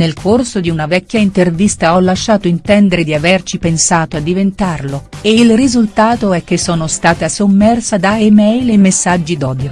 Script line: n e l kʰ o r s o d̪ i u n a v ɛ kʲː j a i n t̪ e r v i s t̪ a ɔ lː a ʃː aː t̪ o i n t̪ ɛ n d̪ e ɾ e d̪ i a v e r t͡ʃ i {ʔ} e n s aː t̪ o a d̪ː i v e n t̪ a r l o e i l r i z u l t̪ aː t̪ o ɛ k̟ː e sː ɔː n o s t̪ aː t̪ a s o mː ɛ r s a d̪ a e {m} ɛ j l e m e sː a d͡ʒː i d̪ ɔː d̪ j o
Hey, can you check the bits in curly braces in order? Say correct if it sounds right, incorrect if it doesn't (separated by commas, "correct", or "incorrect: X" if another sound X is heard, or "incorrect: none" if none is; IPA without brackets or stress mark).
incorrect: p, correct